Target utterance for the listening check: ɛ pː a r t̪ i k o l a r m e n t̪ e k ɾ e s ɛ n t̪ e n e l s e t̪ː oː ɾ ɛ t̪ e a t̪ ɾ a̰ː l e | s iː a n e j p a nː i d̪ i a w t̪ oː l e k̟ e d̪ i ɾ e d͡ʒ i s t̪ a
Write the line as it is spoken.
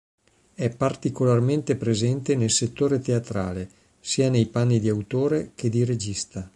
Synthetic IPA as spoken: ɛ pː a r t̪ i k o l a r m e n t̪ e p ɾ e z ɛ n t̪ e n e l s e t̪ː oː ɾ e t̪ e a t̪ ɾ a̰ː l e | s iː a n e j p a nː i d̪ i a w t̪ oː ɾ e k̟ e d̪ i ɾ e d͡ʒ i s t̪ a